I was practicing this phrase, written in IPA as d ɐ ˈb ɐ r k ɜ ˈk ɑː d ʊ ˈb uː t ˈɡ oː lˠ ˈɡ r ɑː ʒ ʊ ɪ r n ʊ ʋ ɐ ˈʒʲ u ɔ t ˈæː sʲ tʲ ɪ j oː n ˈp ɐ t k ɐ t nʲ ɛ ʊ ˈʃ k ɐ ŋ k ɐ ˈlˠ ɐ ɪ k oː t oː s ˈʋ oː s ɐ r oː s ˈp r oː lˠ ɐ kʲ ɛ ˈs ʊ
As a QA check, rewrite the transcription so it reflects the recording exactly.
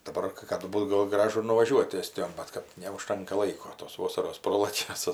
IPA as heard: d ɐ ˈb ɐ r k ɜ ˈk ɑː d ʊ ˈb uː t ˈɡ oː lˠ ˈɡ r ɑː ʒ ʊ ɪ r n ʊ ʋ ɐ ˈʒʲ u ɔ t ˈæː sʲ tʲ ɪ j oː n ˈb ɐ t k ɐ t nʲ ɛ ʊ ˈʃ t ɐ ŋ k ɐ ˈlˠ ɐ ɪ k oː t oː s ˈʋ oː s ɐ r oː s ˈp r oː lˠ ɐ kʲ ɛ ˈs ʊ